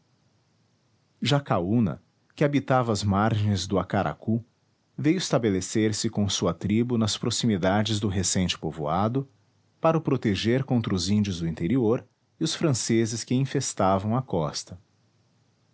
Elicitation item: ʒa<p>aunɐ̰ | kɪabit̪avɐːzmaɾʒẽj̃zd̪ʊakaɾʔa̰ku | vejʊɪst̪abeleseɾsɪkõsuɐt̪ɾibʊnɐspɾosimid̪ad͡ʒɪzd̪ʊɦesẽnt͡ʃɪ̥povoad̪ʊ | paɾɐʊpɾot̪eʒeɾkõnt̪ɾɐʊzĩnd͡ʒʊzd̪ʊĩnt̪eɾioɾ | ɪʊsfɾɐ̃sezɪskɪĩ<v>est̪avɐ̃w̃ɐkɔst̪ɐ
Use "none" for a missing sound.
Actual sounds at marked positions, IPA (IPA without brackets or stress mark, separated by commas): k, f